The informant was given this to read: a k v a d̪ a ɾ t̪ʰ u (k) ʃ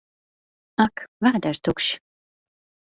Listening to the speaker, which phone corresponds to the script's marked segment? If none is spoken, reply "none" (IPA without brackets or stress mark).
k